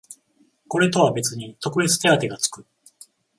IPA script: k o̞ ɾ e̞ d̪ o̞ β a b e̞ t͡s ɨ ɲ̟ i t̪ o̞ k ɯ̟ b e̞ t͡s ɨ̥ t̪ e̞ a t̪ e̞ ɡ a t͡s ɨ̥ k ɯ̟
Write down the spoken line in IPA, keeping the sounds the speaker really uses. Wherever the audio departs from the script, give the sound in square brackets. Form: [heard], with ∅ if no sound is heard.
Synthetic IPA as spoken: k o̞ ɾ e̞ [t̪] o̞ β a b e̞ t͡s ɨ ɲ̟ i t̪ o̞ k ɯ̟ b e̞ t͡s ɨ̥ t̪ e̞ a t̪ e̞ ɡ a t͡s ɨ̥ k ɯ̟